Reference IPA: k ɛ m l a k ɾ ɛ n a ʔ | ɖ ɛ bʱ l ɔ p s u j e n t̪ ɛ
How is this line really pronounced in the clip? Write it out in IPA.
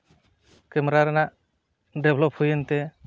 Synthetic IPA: k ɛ m ɾ a ɾ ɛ n a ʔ | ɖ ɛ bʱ l ɔ p h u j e n t̪ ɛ